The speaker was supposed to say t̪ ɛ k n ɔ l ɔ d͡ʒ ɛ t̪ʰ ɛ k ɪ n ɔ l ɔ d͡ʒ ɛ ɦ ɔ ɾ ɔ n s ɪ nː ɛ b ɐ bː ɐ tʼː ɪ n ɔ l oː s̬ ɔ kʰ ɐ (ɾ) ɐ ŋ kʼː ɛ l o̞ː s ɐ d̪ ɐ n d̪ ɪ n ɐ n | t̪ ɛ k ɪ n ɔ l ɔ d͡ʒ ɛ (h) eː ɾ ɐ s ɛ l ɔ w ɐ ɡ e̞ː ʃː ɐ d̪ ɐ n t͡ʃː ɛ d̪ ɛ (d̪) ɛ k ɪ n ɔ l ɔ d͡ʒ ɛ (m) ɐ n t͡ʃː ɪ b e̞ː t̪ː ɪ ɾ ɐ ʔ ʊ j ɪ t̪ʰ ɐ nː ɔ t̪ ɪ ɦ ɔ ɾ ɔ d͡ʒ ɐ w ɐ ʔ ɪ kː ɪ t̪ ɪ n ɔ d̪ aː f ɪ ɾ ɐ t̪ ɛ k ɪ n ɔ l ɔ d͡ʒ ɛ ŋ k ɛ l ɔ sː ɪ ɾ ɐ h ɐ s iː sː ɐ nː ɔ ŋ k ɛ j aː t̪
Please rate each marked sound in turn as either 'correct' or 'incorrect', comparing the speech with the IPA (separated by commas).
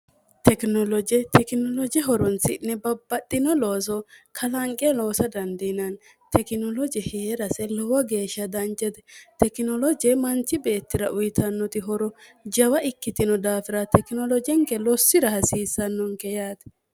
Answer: incorrect, correct, incorrect, correct